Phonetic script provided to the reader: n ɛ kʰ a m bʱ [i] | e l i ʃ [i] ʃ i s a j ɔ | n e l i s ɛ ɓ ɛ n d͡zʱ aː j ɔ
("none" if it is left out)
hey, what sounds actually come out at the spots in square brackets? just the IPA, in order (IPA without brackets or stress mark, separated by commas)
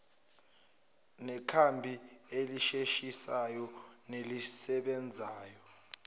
i, e